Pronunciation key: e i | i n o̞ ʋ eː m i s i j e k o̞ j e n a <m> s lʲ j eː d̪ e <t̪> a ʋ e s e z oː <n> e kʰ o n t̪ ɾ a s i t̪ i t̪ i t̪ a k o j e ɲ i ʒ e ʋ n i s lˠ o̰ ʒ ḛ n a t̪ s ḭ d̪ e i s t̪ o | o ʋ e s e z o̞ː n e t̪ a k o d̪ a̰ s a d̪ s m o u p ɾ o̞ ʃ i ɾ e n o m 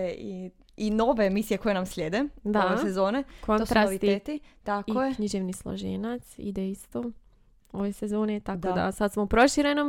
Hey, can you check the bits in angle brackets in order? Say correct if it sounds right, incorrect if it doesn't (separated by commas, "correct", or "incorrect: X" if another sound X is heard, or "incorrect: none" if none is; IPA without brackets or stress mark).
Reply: correct, incorrect: d̪, correct